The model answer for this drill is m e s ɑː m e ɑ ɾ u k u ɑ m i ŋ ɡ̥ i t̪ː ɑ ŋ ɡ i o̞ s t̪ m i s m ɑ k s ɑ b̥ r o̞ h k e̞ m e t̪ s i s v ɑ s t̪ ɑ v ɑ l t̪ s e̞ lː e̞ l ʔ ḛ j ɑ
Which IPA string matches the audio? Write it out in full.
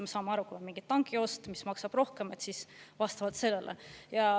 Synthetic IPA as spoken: m e s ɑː m e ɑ ɾ u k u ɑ m i ŋ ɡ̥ i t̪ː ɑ ŋ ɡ i o̞ s t̪ m i s m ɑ k s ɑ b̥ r o̞ h k e̞ m e t̪ s i s v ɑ s t̪ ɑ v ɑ l t̪ s e̞ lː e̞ l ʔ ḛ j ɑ